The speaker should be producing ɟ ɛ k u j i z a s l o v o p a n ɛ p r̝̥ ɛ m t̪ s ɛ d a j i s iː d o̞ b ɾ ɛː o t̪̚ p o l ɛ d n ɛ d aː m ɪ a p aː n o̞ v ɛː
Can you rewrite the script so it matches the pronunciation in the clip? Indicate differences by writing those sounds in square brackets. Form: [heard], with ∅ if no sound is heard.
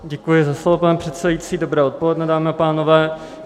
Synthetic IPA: ɟ ɛ k u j [ɪ] z a s l o v o p a n ɛ p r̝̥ ɛ [∅] t̪ s ɛ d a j i [t͡s] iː d o̞ b ɾ ɛː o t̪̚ p o l ɛ d n ɛ d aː m ɪ a p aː n o̞ v ɛː